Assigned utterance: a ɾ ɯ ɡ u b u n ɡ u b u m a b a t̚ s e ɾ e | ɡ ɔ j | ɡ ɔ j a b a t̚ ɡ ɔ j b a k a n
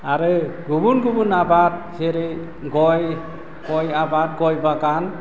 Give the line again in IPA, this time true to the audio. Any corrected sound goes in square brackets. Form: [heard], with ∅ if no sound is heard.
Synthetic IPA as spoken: a ɾ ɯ ɡ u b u n ɡ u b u [n] a b a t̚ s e ɾ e | ɡ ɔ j | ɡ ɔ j a b a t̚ ɡ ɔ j b a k a n